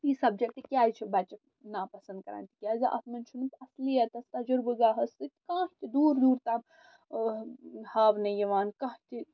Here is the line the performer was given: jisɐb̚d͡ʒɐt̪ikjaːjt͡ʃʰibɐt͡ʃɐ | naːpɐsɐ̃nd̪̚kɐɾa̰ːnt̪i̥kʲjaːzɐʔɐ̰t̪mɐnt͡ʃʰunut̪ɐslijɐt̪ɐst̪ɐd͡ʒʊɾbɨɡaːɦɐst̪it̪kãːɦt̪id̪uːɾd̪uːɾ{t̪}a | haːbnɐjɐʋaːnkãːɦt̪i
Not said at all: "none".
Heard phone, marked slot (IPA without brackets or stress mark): t̪